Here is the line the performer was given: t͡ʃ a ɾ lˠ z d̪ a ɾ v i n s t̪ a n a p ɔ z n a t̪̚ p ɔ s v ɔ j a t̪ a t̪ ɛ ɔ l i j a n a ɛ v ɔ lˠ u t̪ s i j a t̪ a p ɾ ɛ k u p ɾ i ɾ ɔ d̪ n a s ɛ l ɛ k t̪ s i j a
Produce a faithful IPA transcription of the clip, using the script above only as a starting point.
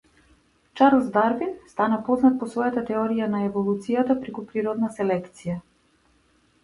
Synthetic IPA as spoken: t͡ʃ a ɾ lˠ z d̪ a ɾ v i n s t̪ a n a p ɔ z n a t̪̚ p ɔ s v ɔ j a t̪ a t̪ ɛ ɔ ɾ i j a n a ɛ v ɔ lˠ u t̪ s i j a t̪ a p ɾ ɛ k u p ɾ i ɾ ɔ d̪ n a s ɛ l ɛ k t̪ s i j a